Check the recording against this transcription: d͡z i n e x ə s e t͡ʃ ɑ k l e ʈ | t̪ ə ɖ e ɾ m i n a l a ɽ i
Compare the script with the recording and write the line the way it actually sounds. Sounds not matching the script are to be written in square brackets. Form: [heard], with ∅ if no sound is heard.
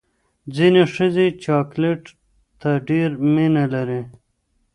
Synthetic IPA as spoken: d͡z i n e [ʂ] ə [z] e t͡ʃ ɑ k l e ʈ | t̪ [a] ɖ e ɾ m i n a l a [ɾ] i